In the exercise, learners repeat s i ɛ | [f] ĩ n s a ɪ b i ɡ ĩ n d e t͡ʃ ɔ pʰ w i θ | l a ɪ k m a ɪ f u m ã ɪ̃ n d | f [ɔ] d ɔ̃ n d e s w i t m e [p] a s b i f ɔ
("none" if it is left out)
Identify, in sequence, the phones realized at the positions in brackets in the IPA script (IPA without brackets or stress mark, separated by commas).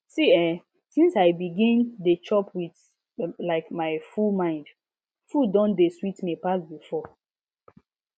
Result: s, u, p